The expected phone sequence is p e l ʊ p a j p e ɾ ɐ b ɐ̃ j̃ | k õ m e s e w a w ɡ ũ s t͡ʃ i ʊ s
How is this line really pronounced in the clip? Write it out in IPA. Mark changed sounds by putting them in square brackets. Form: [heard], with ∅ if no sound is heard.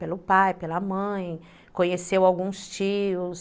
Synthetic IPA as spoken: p e l ʊ p a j p e [l] ɐ [m] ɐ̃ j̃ | k õ [ɲ] e s e w a w ɡ ũ s t͡ʃ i ʊ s